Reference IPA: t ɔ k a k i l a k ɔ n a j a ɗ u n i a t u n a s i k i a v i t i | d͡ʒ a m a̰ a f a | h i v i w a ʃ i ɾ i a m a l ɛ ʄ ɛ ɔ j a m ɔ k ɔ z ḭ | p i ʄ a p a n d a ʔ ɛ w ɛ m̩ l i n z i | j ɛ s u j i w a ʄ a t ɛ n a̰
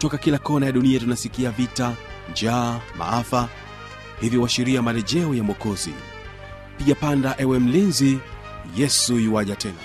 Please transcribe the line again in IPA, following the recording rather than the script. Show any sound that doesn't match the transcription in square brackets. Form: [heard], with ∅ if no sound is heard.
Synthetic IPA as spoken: t ɔ k a k i l a k ɔ n a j a ɗ u n i a t u n a s i k i a v i t [a] | d͡ʒ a m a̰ a f a | h i v i w a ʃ i ɾ i a m a l ɛ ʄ ɛ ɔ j a m ɔ k ɔ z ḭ | p i ʄ a p a n d a ʔ ɛ w ɛ m̩ l i n z i | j ɛ s u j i w a ʄ a t ɛ n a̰